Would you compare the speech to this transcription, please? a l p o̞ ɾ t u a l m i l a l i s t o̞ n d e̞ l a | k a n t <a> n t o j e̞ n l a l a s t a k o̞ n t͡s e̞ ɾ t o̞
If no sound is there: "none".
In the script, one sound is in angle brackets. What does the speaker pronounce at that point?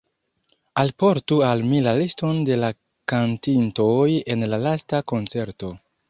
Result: i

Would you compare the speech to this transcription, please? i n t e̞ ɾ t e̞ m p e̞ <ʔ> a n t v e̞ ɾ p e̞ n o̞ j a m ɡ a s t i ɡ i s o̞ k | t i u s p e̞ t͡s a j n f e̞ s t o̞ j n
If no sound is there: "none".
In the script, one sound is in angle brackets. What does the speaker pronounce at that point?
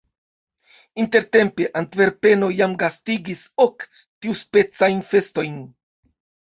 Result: ʔ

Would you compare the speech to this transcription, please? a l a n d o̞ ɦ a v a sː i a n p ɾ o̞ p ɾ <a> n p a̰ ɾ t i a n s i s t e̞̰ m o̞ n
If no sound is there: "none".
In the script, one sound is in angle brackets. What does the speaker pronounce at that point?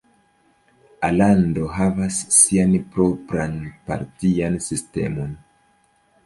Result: a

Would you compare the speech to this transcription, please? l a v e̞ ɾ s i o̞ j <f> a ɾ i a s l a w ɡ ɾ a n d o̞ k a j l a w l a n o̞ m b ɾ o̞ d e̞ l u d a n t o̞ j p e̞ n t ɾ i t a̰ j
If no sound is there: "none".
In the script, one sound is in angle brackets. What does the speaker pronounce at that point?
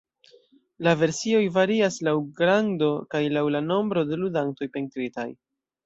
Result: v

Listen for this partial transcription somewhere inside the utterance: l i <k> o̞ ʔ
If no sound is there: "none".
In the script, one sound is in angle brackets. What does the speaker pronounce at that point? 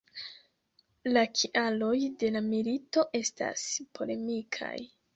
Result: t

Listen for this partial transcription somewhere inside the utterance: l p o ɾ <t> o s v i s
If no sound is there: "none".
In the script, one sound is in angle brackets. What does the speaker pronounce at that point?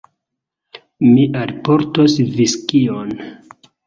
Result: t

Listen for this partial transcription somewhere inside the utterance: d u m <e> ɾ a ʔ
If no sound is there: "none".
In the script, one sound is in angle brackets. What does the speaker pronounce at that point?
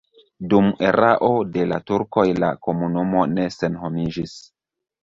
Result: e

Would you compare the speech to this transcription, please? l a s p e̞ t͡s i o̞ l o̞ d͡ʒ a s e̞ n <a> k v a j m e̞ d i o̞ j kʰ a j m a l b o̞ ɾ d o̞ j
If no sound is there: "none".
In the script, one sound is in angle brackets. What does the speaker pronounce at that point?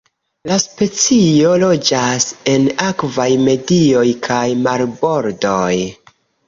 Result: a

